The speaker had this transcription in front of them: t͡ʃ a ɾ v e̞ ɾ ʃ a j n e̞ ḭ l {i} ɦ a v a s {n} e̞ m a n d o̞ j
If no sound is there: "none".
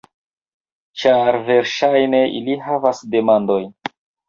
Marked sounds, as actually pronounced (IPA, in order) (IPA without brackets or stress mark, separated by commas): i, d